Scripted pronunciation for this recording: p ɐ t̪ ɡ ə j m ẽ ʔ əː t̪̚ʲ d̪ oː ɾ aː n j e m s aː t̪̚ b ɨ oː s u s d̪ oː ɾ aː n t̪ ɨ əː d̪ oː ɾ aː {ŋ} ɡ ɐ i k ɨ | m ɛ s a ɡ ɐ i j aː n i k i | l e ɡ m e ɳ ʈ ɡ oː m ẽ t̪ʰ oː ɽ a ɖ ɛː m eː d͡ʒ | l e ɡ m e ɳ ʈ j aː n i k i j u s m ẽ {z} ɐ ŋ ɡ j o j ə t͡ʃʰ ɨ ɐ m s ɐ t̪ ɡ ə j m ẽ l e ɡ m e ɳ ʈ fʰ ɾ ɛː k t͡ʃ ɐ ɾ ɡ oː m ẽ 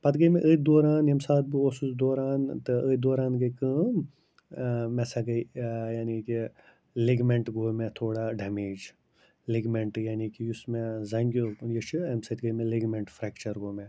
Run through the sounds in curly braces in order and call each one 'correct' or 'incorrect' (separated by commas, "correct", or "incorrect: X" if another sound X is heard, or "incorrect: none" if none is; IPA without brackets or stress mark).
incorrect: n, correct